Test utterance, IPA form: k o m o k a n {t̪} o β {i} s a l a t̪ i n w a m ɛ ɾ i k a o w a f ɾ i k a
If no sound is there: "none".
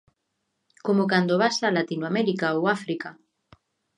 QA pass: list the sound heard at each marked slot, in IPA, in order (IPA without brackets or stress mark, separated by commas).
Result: d̪, a